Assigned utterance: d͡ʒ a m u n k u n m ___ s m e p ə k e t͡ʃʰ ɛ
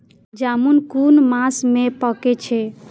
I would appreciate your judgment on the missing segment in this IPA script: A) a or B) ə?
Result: A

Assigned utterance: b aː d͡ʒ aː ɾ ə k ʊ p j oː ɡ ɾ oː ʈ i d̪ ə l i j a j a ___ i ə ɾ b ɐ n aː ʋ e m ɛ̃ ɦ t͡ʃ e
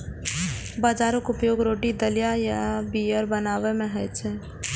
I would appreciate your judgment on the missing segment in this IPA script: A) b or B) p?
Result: A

